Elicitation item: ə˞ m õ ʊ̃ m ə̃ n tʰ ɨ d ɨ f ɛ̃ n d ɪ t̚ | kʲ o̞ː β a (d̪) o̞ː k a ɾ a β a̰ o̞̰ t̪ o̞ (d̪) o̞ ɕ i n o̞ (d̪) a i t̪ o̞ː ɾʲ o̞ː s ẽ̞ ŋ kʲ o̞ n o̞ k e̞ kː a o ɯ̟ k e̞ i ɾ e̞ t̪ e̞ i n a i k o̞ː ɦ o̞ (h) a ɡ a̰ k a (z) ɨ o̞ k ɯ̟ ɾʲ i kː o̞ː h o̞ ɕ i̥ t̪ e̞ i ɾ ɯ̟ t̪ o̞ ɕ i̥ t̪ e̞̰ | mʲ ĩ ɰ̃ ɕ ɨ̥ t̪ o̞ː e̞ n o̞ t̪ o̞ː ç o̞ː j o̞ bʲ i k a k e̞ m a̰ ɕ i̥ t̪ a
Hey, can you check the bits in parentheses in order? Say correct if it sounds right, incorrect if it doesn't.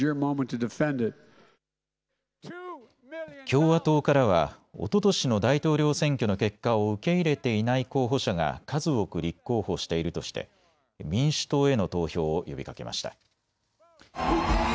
incorrect: t̪, incorrect: t̪, correct, incorrect: ɕ, correct

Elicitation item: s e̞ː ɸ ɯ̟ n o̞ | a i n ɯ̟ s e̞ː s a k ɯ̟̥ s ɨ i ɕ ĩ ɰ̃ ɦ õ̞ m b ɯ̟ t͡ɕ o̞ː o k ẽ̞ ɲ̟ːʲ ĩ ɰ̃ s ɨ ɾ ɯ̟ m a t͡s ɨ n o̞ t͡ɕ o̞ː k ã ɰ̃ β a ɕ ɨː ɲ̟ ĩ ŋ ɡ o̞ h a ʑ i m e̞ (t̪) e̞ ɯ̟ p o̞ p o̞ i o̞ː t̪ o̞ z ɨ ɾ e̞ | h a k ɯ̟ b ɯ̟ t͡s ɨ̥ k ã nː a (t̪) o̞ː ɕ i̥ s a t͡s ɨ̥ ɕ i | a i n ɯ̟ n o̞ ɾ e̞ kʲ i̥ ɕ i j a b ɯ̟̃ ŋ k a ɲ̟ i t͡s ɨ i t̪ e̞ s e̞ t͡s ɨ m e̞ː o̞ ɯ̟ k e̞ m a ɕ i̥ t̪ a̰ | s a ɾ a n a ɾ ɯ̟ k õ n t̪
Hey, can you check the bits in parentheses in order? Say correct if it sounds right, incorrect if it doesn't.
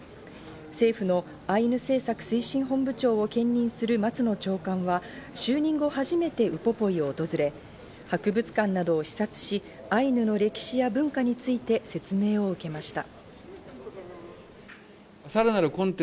correct, incorrect: d̪

